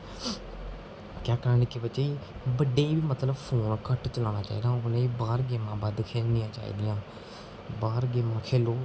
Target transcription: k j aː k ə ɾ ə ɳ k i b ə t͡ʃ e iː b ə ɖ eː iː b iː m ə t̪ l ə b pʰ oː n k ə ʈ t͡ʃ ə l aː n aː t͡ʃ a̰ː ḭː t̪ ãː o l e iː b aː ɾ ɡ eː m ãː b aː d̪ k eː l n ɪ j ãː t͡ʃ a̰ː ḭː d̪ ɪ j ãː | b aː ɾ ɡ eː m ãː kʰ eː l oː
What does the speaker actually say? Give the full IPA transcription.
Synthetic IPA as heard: k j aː k ə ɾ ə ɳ k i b ə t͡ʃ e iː b ə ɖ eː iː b iː m ə t̪ l ə b pʰ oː n k ə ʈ t͡ʃ ə l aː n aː t͡ʃ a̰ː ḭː d̪ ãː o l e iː b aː ɾ ɡ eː m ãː b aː d̪ kʰ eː l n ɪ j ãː t͡ʃ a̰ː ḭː d̪ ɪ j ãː | b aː ɾ ɡ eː m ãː kʰ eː l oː